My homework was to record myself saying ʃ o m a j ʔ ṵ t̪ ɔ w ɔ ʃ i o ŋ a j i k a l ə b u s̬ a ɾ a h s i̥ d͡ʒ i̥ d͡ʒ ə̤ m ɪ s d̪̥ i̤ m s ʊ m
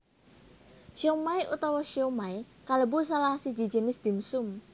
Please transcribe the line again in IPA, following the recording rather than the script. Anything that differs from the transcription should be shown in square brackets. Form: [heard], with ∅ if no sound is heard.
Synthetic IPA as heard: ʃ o m a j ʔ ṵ t̪ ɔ w ɔ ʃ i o [m] a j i k a l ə b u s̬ a [l] a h s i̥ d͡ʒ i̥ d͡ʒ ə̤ [n] ɪ s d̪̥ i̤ m s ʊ m